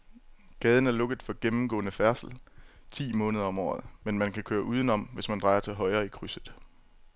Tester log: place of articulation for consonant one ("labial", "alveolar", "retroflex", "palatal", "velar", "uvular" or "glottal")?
velar